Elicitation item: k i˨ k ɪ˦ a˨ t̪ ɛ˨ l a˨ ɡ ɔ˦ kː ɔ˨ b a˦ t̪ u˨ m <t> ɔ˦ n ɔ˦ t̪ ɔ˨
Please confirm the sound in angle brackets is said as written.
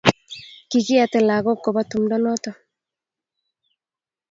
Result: no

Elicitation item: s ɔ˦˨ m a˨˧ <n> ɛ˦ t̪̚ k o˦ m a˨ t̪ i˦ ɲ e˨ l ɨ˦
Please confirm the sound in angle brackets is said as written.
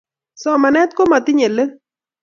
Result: yes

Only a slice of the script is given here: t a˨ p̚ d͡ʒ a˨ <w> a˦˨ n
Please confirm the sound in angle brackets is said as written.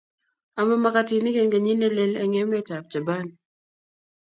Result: no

